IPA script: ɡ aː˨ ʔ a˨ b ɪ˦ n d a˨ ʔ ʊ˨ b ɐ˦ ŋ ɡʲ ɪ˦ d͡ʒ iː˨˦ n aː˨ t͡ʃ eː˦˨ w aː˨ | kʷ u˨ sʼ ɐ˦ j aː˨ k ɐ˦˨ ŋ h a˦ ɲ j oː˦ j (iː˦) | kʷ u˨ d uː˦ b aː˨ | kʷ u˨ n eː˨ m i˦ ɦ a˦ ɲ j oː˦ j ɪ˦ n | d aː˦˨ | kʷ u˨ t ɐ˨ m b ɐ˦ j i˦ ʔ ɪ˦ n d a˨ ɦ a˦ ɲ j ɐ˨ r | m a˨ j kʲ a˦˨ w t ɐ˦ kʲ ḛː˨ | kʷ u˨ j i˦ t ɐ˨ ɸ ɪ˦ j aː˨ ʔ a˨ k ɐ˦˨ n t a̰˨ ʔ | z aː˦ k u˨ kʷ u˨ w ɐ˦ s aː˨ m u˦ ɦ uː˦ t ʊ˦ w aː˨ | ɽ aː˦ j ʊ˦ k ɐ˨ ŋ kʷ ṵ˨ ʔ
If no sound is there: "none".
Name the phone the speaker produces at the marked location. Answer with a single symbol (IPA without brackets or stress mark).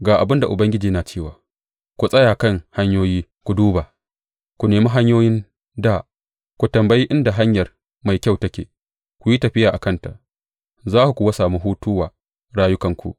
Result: iː˦